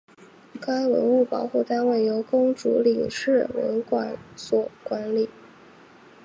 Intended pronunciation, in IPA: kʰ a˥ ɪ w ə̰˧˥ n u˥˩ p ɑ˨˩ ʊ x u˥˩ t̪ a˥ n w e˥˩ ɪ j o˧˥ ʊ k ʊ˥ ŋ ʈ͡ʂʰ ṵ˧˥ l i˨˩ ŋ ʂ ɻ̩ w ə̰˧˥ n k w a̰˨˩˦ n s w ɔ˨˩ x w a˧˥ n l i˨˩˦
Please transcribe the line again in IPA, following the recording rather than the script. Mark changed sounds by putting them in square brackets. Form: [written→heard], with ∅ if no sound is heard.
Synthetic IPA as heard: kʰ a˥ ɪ w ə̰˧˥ n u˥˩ p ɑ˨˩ ʊ x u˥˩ t̪ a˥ n w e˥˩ ɪ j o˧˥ ʊ k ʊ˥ ŋ [ʈ͡ʂʰ→ʈ͡ʂ] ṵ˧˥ l i˨˩ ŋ ʂ ɻ̩ w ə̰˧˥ n k w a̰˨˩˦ n s w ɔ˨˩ [x→k] w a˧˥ n l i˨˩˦